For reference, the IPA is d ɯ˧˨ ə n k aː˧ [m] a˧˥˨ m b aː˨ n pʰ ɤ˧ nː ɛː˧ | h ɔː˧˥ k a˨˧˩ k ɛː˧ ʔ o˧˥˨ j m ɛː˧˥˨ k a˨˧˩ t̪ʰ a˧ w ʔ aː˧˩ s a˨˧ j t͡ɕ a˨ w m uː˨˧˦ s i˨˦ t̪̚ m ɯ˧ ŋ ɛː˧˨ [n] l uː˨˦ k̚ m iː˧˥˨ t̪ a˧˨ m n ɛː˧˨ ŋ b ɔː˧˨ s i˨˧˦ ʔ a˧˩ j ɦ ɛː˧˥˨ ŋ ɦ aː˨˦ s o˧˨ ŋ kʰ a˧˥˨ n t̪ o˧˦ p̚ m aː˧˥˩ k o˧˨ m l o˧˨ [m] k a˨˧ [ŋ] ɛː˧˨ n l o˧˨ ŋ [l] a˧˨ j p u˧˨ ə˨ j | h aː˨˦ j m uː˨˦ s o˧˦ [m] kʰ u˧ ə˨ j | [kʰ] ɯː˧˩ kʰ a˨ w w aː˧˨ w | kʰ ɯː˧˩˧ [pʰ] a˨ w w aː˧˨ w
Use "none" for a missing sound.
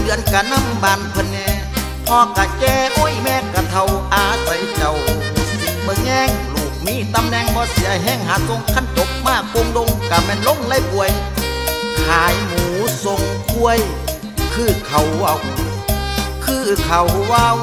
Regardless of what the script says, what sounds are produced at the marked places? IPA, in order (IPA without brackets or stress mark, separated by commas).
n, ŋ, ŋ, m, l, ŋ, kʰ, kʰ